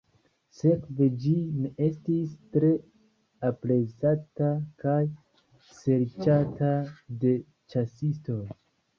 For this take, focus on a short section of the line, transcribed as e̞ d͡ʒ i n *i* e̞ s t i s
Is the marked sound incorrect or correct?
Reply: incorrect